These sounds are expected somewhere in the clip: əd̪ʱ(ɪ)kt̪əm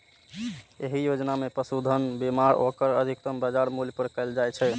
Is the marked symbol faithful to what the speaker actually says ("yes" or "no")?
no